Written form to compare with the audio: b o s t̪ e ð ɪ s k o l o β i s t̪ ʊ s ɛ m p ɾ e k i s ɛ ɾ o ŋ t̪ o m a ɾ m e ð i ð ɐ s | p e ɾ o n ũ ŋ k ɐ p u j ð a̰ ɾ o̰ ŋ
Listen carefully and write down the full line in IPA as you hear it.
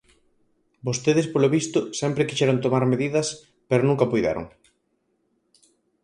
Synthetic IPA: b o s t̪ e ð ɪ s p o l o β i s t̪ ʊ s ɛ m p ɾ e k i ʃ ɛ ɾ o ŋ t̪ o m a ɾ m e ð i ð ɐ s | p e ɾ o n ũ ŋ k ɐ p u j ð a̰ ɾ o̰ ŋ